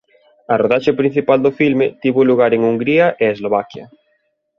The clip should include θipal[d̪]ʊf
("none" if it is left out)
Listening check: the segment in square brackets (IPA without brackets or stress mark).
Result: d̪